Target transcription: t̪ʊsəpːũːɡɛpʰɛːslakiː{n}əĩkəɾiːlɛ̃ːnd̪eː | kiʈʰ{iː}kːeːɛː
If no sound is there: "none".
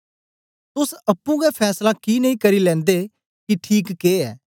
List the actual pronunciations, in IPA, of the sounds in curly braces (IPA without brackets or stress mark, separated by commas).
n, iː